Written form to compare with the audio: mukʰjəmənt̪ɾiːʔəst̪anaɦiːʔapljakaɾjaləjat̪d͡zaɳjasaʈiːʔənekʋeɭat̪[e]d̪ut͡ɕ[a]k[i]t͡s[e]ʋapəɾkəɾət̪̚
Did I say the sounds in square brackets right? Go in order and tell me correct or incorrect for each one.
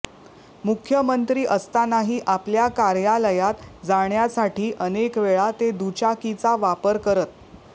correct, correct, correct, incorrect

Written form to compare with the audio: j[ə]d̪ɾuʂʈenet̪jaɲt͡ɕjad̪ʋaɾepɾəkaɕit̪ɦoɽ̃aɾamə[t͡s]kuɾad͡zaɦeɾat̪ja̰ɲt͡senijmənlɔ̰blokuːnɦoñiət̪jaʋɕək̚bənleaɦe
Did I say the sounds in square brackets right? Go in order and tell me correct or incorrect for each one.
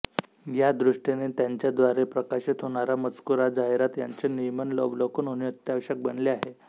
incorrect, correct

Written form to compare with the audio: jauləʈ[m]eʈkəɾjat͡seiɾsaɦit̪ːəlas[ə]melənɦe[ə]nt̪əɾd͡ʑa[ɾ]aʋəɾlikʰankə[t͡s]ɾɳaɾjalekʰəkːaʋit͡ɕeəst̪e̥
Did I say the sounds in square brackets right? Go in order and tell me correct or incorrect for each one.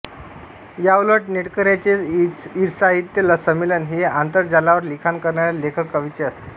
incorrect, correct, incorrect, incorrect, incorrect

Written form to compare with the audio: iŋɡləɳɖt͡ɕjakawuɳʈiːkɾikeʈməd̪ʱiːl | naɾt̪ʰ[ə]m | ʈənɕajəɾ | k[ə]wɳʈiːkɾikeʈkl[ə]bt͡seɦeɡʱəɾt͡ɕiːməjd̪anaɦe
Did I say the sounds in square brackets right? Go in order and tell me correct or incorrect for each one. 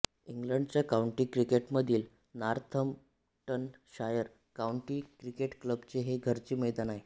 correct, incorrect, correct

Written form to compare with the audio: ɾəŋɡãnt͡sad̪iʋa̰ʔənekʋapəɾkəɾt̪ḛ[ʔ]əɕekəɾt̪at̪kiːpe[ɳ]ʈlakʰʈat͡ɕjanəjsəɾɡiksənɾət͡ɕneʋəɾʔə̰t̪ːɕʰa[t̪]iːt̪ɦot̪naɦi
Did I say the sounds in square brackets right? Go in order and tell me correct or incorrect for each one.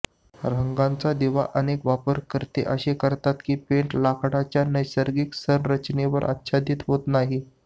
correct, correct, incorrect

